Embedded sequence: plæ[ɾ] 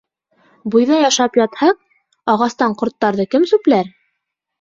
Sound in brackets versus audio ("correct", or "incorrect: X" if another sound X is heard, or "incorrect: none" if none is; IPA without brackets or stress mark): correct